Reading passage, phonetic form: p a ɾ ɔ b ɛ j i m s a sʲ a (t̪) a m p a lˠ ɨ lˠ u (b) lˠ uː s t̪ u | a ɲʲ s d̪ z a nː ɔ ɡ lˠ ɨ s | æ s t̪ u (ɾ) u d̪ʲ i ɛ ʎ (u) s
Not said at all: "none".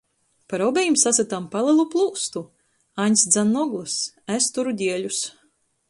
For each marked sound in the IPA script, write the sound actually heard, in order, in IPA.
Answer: t̪, p, ɾ, u

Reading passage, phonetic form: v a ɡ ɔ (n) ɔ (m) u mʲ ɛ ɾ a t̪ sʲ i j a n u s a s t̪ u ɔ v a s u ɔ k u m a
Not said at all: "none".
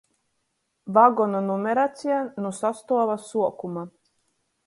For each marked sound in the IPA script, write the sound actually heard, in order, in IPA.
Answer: n, n

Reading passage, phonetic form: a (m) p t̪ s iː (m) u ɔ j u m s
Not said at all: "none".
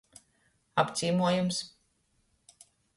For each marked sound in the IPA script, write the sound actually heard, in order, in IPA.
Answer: none, m

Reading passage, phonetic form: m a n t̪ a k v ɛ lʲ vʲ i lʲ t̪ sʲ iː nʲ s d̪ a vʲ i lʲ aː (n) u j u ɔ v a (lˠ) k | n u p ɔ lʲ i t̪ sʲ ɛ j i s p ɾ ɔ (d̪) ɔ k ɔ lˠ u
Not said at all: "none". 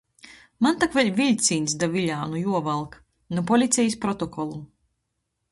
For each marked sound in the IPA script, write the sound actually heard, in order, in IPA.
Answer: n, lˠ, t̪

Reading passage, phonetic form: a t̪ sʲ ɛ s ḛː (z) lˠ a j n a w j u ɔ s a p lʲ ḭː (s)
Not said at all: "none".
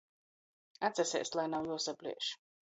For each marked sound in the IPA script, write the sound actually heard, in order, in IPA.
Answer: s, ʃ

